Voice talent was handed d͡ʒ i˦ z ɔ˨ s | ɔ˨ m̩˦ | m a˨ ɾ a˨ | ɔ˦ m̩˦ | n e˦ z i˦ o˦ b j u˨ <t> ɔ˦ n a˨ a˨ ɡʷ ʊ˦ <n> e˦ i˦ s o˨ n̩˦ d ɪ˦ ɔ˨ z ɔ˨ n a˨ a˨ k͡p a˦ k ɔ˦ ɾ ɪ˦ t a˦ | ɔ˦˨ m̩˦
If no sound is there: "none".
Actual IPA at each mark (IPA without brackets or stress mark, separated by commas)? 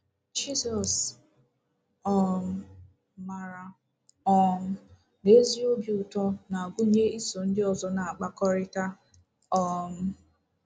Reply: t, ɲ